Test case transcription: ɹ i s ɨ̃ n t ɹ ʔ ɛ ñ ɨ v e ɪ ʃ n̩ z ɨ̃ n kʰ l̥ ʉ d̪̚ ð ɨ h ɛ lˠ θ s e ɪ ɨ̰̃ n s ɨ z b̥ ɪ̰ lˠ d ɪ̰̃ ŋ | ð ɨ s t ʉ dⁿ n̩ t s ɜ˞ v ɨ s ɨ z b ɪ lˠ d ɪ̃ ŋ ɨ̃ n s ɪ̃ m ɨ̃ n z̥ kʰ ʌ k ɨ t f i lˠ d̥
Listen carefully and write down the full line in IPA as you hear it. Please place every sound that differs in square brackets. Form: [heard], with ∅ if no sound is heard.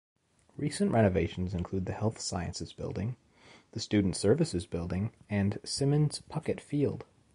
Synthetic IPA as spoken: ɹ i s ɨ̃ n [ʔ] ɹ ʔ ɛ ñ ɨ v e ɪ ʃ n̩ z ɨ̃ n kʰ l̥ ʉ d̪̚ ð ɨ h ɛ lˠ θ s [a] ɪ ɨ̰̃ n s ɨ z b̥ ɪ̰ lˠ d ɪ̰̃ ŋ | ð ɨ s t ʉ dⁿ n̩ t s ɜ˞ v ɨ s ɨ z b ɪ lˠ d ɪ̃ ŋ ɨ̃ n s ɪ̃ m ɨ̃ n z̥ [pʰ] ʌ k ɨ t f i lˠ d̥